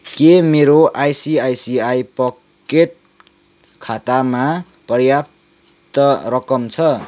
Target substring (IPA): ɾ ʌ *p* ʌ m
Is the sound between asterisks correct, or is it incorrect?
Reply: incorrect